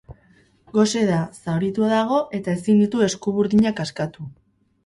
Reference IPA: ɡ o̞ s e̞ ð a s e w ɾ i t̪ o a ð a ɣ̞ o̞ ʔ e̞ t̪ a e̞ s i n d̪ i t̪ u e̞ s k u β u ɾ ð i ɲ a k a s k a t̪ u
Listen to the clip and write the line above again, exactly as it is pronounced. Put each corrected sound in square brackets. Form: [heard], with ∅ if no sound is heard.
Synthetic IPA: ɡ o̞ s e̞ ð a s [a] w ɾ i t̪ [u] a ð a ɣ̞ o̞ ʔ e̞ t̪ a e̞ s i n d̪ i t̪ u e̞ s k u β u ɾ ð i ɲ a k a s k a t̪ u